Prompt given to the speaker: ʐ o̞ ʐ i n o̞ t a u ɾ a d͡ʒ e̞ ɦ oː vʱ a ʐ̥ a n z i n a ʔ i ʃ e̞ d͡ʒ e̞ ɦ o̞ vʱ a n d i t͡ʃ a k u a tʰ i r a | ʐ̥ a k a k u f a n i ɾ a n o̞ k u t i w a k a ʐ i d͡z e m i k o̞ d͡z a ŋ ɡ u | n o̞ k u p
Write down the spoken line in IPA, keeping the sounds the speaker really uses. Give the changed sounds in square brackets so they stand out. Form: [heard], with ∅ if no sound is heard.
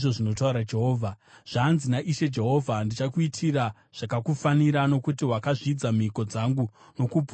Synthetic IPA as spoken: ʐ o̞ ʐ i n o̞ t a u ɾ a d͡ʒ e̞ ɦ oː vʱ a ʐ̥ a n z i n a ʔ i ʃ e̞ d͡ʒ e̞ ɦ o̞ vʱ a n d i t͡ʃ a k u [i] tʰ i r a | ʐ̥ a k a k u f a n i ɾ a n o̞ k u t i w a k a ʐ i d͡z [a] m i k o̞ d͡z a ŋ ɡ u | n o̞ k u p